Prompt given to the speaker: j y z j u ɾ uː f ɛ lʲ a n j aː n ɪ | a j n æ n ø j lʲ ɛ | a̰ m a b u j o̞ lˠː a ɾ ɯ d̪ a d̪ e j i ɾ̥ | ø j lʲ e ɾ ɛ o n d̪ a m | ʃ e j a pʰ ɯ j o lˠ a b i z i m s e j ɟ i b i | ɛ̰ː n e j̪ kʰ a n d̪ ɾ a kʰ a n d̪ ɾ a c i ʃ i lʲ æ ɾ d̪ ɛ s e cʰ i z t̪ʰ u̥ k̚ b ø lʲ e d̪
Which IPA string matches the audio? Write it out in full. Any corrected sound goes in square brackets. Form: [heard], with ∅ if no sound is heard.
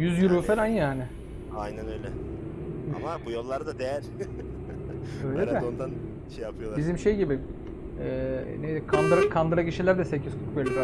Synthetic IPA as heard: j y z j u ɾ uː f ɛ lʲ a n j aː n ɪ | a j n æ n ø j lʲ ɛ | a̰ m a b u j o̞ lˠː a ɾ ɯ d̪ a d̪ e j [æ] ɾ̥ | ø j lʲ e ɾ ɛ o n d̪ a [n] | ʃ e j a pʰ ɯ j o lˠ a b i z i m [ʃ] e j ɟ i b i | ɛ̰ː n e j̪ kʰ a n d̪ ɾ a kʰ a n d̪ ɾ a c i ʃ i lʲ æ ɾ d̪ ɛ s e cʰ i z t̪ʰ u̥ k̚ b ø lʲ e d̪